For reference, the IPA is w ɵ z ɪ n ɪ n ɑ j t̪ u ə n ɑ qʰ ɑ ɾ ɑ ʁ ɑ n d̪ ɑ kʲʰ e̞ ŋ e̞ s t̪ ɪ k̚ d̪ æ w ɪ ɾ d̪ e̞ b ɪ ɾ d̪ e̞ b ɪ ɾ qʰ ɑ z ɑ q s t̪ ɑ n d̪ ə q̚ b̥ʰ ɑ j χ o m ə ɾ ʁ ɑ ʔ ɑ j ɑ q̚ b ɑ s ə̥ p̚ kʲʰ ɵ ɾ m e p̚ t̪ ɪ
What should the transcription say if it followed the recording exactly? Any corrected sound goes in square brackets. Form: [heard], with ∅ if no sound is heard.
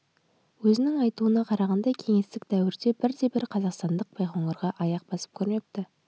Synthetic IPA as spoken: w ɵ z ɪ n ɪ [ŋ] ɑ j t̪ u ə n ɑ qʰ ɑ ɾ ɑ ʁ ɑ n d̪ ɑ kʲʰ e̞ ŋ e̞ s t̪ ɪ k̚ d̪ æ w ɪ ɾ d̪ e̞ b ɪ ɾ d̪ e̞ b ɪ ɾ qʰ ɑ z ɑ q s t̪ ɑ n d̪ ə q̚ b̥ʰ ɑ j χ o [ɴ] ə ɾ ʁ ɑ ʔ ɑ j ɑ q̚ b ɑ s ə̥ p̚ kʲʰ ɵ ɾ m e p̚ t̪ ɪ